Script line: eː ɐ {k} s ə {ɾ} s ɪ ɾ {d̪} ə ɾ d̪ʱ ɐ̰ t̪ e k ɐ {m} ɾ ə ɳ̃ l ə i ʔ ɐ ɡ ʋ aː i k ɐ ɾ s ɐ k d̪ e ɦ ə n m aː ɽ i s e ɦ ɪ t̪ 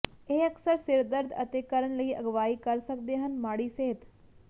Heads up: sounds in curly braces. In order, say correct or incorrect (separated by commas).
correct, correct, correct, incorrect